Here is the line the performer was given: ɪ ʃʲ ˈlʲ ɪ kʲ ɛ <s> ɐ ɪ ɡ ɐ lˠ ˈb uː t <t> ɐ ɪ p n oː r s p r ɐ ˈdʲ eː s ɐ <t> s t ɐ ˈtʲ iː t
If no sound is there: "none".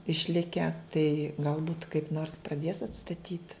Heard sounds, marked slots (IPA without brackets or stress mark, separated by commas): t, k, t